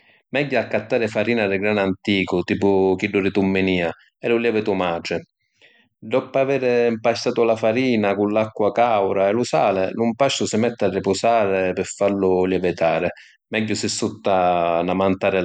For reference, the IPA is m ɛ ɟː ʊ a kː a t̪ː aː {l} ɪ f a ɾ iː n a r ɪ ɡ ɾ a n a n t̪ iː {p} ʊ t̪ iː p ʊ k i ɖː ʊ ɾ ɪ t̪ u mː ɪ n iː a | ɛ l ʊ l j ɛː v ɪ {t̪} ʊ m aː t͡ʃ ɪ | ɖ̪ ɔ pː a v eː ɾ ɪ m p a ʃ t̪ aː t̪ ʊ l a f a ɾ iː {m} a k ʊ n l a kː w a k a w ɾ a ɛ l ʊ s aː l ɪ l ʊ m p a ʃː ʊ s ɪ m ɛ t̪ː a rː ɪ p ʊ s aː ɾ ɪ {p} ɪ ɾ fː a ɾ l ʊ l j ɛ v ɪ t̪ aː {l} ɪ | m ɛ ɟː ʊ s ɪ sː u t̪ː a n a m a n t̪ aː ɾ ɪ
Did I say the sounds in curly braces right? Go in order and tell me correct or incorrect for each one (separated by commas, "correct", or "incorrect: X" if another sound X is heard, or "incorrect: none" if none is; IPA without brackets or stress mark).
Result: incorrect: ɾ, incorrect: k, correct, incorrect: n, correct, incorrect: ɾ